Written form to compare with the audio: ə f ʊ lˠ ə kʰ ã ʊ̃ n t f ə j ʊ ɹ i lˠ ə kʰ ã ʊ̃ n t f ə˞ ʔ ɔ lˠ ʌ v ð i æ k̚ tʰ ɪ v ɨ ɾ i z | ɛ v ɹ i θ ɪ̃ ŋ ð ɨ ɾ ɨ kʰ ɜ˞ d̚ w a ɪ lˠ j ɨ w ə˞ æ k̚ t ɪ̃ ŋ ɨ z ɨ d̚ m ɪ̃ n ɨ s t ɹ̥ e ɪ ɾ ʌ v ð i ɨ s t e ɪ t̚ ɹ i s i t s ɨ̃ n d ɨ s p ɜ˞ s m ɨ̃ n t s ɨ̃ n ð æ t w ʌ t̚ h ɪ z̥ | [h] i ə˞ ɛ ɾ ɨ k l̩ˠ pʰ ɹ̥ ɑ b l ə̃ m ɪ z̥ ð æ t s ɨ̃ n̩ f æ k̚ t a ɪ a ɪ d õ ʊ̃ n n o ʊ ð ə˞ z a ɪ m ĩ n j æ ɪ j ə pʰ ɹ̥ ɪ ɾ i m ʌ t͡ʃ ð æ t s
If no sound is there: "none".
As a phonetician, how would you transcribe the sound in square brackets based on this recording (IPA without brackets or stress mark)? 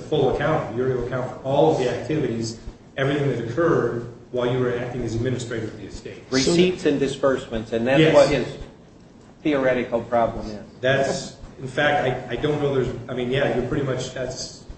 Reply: θ